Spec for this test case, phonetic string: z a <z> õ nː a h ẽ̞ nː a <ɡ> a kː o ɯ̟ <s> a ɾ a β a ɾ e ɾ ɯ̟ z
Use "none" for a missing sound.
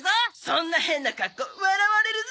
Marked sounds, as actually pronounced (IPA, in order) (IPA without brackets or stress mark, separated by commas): s, k, none